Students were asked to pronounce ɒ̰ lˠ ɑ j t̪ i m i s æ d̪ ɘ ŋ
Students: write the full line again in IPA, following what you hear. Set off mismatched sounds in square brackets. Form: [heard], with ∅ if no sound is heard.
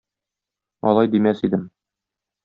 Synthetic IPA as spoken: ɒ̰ lˠ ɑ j [d̪] i m [æ] s [i] d̪ ɘ [m]